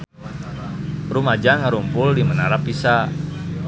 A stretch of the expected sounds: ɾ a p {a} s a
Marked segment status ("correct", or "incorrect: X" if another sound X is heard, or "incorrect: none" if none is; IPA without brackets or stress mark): incorrect: i